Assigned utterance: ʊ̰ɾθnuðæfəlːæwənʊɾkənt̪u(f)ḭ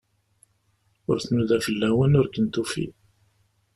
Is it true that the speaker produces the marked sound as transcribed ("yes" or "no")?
yes